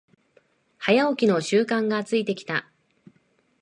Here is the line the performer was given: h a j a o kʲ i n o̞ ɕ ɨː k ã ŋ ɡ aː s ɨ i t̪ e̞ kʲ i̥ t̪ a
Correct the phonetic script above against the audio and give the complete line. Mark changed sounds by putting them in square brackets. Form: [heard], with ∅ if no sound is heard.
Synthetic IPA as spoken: h a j a o kʲ i n o̞ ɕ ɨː k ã ŋ ɡ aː [t͡s] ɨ i t̪ e̞ kʲ i̥ t̪ a